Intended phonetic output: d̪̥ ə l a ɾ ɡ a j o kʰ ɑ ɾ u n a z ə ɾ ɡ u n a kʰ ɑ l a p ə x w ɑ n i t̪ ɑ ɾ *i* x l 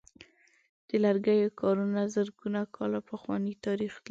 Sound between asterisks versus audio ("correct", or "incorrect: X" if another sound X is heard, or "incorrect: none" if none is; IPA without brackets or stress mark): correct